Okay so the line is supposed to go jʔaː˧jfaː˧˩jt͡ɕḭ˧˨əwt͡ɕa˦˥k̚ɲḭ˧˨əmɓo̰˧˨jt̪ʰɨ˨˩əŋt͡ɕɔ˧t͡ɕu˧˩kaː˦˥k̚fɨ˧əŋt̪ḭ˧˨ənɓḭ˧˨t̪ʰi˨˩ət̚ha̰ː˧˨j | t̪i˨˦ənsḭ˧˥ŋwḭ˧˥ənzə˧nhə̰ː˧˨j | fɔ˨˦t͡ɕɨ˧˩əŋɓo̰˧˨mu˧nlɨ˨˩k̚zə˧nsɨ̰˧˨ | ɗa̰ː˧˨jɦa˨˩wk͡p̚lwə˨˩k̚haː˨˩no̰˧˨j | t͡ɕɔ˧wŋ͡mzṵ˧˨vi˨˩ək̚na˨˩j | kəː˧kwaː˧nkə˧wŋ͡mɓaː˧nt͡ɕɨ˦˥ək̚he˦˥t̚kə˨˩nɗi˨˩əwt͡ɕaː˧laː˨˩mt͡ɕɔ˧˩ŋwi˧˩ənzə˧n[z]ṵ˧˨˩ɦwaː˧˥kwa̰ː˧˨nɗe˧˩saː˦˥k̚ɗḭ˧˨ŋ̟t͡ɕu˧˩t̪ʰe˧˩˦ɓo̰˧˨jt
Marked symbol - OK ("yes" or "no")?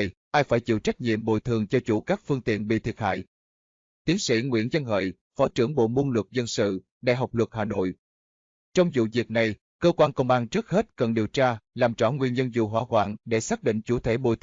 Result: yes